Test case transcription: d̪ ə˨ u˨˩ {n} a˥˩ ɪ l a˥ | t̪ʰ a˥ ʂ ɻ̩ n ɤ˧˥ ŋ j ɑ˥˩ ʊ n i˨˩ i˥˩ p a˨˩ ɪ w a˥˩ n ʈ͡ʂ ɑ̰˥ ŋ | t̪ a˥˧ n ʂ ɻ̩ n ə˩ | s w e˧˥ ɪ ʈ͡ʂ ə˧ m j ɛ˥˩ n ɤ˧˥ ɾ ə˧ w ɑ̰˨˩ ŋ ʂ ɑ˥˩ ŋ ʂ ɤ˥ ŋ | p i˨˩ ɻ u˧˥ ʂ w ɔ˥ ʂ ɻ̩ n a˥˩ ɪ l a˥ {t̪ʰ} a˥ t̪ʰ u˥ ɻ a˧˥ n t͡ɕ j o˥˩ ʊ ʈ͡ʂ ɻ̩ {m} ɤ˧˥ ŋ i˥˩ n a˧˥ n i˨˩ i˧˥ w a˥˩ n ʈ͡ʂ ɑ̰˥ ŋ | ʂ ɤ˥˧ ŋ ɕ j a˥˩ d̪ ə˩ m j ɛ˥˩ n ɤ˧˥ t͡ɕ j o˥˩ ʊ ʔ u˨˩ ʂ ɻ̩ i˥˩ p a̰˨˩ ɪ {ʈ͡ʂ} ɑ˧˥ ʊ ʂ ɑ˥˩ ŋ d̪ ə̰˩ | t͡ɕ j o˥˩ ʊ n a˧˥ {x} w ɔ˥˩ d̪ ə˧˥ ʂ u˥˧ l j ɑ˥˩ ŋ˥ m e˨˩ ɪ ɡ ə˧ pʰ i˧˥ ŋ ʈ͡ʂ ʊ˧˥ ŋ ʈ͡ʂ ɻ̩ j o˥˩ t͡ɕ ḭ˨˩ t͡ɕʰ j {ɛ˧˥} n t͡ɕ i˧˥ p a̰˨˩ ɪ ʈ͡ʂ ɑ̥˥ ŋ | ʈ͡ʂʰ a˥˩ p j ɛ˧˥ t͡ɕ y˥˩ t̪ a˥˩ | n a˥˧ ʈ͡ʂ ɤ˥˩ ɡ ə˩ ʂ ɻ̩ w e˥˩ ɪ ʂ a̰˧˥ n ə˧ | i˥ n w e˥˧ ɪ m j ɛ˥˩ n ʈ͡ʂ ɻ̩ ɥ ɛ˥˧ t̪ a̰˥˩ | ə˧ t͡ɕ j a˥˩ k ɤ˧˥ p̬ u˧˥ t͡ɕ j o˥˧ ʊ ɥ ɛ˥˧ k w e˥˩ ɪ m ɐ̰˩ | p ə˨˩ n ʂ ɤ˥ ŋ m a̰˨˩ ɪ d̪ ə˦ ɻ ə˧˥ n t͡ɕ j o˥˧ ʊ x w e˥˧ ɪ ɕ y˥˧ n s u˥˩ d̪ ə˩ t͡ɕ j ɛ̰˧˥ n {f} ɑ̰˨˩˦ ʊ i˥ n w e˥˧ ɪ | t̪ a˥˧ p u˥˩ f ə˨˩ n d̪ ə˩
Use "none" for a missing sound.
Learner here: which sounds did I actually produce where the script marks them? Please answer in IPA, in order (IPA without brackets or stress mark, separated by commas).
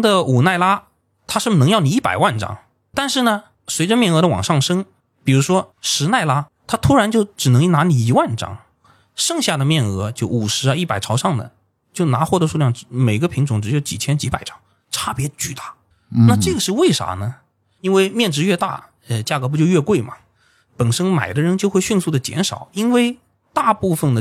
n, t̪ʰ, n, ʈ͡ʂʰ, x, ɛ˥, ʂ